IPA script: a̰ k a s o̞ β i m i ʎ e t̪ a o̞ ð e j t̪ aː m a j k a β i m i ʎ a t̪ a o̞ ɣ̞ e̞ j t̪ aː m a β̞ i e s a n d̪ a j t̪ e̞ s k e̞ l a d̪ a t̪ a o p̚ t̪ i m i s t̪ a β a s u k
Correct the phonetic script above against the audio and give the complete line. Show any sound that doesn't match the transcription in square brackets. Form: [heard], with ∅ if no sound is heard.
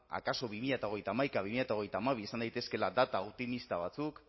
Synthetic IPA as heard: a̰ k a s o̞ β i m i ʎ [a] t̪ a o̞ [ɣ] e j t̪ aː m a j k a β i m i ʎ a t̪ a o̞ ɣ̞ e̞ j t̪ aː m a β̞ i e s a n d̪ a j t̪ e̞ s k e̞ l a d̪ a t̪ a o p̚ t̪ i m i s t̪ a β a [t͡s] u k